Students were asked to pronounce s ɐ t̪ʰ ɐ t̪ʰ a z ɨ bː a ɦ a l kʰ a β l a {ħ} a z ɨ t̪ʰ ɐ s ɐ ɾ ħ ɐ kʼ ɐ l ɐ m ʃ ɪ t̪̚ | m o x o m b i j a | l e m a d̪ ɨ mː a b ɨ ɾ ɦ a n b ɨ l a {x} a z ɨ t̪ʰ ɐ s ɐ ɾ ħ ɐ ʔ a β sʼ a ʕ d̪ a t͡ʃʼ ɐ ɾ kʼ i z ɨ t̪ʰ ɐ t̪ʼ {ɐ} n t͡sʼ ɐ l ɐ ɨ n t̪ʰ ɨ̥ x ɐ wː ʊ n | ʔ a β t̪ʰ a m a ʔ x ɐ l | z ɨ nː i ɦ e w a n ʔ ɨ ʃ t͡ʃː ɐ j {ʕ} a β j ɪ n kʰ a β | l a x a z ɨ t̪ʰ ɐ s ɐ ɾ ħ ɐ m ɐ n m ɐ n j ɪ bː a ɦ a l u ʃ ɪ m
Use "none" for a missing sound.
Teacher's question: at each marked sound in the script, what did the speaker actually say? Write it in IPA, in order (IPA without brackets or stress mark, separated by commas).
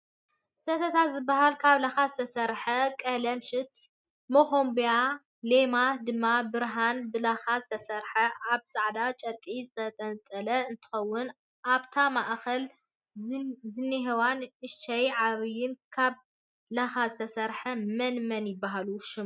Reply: x, x, ɐ, ʕ